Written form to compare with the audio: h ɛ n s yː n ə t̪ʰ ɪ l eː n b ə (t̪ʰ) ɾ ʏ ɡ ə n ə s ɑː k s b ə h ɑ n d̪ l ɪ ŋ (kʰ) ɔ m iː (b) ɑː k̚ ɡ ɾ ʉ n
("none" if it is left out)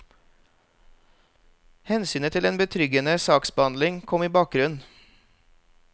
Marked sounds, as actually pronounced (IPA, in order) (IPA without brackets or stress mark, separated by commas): t̪ʰ, kʰ, b